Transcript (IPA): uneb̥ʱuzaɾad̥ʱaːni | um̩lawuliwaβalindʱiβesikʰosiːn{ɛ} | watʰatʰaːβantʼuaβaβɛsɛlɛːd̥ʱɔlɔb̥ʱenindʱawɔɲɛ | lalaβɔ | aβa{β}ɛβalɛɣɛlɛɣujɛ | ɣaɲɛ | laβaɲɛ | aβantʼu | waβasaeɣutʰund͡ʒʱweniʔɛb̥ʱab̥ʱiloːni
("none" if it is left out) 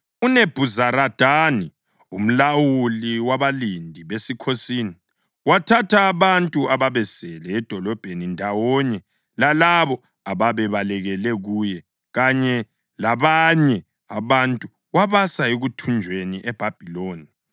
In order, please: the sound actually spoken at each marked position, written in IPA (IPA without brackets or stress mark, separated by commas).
i, β